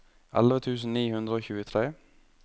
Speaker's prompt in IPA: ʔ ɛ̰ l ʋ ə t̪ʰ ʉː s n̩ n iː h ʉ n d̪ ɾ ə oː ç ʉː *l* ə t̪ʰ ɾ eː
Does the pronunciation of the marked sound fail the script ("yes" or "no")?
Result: yes